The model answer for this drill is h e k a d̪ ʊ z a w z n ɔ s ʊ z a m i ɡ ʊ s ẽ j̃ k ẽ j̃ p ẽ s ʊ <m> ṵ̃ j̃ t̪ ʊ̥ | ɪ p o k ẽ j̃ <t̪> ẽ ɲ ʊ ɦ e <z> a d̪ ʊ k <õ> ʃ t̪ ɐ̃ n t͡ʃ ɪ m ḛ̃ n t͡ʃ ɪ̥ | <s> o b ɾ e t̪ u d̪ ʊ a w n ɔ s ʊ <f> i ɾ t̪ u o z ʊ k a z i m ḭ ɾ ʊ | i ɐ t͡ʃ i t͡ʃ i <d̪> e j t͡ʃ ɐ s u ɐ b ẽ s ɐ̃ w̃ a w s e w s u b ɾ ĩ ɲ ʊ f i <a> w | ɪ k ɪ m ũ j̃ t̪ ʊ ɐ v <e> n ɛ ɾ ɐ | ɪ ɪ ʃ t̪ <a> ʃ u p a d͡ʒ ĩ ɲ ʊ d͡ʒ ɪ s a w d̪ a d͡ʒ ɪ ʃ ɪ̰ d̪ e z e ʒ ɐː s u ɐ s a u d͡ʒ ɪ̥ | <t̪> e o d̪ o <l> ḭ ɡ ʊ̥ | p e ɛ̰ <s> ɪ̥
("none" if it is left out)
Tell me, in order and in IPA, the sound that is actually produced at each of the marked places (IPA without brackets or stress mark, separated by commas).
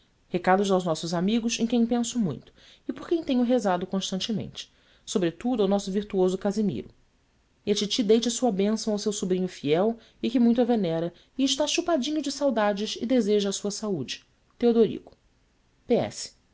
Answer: m, t̪, z, õ, s, v, d̪, ɛ, e, a, t̪, ɾ, s